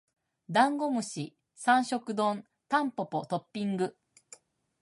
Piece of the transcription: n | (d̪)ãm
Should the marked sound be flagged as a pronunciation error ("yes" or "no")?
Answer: yes